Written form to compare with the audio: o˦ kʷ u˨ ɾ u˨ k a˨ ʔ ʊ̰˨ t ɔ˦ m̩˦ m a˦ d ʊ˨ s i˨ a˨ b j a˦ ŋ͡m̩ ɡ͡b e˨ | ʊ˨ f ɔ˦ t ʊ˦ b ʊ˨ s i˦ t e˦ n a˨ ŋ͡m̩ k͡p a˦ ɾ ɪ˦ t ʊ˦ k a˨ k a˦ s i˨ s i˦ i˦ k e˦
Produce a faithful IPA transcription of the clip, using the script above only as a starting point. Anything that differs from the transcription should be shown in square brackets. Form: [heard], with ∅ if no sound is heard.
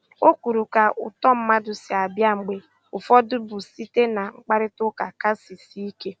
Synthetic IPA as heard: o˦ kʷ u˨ ɾ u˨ k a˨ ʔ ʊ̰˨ t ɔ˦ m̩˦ m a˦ d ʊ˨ s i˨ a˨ b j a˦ ŋ͡m̩ ɡ͡b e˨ | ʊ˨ f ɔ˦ [d] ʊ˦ b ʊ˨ s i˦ t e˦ n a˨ ŋ͡m̩ k͡p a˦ ɾ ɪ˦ t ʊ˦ k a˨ k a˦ s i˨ s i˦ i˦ k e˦